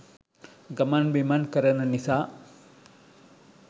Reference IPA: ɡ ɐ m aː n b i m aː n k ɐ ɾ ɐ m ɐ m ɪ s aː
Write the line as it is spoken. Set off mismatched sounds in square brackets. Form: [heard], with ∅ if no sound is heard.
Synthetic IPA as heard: ɡ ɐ m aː n b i m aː n k ɐ ɾ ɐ [n] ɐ [n] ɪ s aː